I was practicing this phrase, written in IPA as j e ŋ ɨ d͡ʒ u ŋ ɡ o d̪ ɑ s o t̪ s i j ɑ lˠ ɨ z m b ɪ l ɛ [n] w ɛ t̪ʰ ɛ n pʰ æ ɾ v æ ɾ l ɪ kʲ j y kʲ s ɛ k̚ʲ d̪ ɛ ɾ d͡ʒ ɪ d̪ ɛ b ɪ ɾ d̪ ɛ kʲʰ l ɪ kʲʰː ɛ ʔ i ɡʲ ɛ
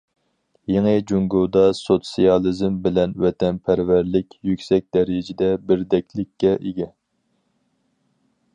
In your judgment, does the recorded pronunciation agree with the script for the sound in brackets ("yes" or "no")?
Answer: yes